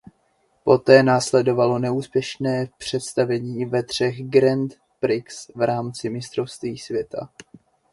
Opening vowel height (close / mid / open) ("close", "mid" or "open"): mid